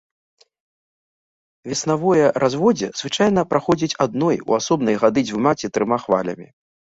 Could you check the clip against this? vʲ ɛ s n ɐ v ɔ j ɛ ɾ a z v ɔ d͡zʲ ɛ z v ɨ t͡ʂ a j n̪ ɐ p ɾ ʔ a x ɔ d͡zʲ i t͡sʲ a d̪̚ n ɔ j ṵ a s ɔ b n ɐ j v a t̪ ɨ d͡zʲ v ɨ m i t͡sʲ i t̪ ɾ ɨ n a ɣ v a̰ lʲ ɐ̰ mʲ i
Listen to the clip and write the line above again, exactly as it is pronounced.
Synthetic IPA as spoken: vʲ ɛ s n a v ɔ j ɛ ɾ a z v ɔ d͡zʲ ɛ z v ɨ t͡ʂ a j n̪ ɐ p ɾ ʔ a x ɔ d͡zʲ i t͡sʲ a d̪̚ n ɔ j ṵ a s ɔ b n ɐ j ɣ a d̪ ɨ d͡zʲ v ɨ m a t͡sʲ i t̪ ɾ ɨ m a x v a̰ lʲ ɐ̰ mʲ i